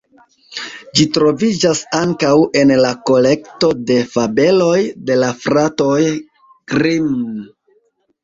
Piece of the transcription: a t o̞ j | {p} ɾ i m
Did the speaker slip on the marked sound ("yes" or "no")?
yes